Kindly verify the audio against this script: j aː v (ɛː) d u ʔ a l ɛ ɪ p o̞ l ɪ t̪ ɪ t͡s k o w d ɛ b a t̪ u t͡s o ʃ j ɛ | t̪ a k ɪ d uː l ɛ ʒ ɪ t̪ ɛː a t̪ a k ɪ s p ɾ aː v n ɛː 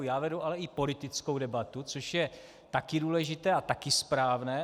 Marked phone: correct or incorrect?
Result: incorrect